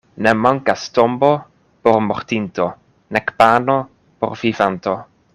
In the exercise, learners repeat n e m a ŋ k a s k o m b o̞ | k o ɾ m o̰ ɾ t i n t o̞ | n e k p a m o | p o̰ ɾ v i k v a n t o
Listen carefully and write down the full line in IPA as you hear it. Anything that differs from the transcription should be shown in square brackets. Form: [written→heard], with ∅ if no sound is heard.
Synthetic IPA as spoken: n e m a ŋ k a s [k→t] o m b o̞ | [k→p] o ɾ m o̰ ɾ t i n t o̞ | n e k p a [m→n] o | p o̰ ɾ v i [k→∅] v a n t o